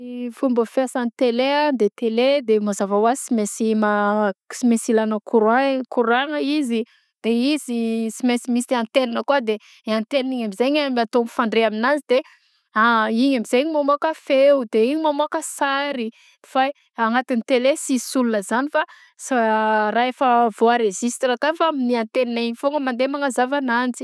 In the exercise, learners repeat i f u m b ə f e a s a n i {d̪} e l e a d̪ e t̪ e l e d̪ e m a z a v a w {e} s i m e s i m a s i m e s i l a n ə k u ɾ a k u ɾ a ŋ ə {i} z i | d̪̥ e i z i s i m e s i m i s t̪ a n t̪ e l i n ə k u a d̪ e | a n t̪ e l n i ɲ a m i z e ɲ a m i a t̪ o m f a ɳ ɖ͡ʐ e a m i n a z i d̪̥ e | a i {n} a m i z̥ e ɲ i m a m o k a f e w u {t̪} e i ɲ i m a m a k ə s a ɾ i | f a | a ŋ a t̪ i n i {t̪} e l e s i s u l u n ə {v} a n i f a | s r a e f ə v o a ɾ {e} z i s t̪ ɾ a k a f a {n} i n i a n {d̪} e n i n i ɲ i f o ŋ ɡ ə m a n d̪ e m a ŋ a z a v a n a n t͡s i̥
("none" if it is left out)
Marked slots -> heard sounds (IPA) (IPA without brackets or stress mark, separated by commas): t̪, a, i, ɲ, d̪, t̪, z, e, m, t̪